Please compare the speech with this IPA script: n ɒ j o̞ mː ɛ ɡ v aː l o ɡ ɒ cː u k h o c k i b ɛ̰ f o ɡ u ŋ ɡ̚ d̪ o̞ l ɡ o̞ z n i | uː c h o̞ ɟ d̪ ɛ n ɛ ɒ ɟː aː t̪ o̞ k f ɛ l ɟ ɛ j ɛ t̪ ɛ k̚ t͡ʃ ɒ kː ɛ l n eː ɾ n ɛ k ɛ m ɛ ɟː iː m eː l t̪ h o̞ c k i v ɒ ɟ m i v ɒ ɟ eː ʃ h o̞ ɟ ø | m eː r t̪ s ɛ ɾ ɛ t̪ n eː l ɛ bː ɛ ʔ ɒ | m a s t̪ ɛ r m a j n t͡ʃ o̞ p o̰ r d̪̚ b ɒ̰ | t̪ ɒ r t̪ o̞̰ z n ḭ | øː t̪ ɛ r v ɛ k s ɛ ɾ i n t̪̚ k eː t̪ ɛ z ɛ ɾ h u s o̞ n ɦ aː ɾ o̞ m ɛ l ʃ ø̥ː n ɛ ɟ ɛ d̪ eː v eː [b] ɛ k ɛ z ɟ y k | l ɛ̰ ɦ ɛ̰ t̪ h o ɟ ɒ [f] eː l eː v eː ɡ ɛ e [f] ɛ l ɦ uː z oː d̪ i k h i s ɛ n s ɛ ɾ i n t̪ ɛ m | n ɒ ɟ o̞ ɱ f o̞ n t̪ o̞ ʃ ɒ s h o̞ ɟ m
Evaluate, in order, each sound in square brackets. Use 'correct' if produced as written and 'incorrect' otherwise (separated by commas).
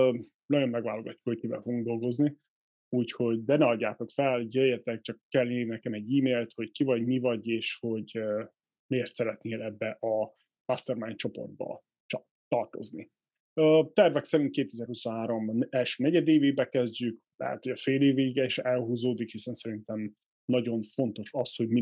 correct, correct, incorrect